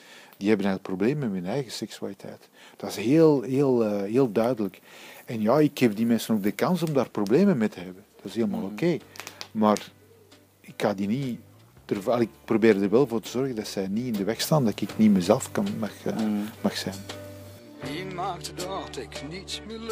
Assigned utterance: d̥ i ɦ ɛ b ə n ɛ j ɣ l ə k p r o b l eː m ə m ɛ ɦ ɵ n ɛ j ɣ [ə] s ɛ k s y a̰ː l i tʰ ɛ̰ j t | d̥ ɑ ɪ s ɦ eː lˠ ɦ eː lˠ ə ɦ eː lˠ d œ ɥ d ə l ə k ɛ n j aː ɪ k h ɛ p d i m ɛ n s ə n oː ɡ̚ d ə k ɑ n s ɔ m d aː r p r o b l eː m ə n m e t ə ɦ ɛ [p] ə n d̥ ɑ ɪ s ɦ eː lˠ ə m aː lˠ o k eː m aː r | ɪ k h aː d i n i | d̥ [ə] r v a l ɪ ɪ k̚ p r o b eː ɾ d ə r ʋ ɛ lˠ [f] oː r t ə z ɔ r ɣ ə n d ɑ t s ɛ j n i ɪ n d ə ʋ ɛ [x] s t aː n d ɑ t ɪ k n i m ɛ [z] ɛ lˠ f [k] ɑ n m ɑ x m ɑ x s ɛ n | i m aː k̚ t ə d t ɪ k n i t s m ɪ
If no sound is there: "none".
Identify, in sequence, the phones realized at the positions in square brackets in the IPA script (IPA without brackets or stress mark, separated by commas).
ə, b, ə, v, x, z, k